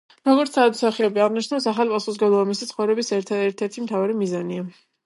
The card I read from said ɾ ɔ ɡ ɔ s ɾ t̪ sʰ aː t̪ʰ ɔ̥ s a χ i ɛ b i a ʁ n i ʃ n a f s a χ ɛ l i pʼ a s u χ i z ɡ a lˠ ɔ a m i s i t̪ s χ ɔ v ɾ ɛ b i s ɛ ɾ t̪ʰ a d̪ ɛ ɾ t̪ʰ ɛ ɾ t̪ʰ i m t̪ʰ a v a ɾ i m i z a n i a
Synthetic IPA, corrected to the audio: ɾ ɔ ɡ ɔ ɾ t̪ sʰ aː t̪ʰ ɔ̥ s a χ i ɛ b i a ʁ n i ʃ n a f s a χ a l i pʼ a s u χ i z ɡ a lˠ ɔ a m i s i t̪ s χ ɔ v ɾ ɛ b i s ɛ ɾ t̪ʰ a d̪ ɛ ɾ t̪ʰ ɛ ɾ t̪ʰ i m t̪ʰ a v a ɾ i m i z a n i a

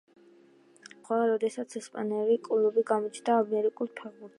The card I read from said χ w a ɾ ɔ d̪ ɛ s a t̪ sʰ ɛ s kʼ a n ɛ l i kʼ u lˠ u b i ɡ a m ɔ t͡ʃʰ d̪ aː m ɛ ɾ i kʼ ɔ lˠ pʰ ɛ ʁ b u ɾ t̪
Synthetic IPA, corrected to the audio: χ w a ɾ ɔ d̪ ɛ s a t̪ sʰ ɛ s pʼ a n ɛ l i kʼ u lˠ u b i ɡ a m ɔ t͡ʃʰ d̪ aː m ɛ ɾ i kʼ u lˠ pʰ ɛ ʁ b u ɾ t̪

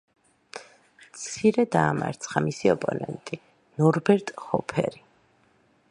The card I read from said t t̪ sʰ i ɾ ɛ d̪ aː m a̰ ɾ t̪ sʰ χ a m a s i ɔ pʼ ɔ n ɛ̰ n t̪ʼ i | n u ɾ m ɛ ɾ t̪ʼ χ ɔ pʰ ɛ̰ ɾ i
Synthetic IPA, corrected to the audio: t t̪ sʰ i ɾ ɛ d̪ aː m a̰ ɾ t̪ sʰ χ a m i s i ɔ pʼ ɔ n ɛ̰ n t̪ʼ i | n ɔ ɾ b ɛ ɾ t̪ʼ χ ɔ pʰ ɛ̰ ɾ i

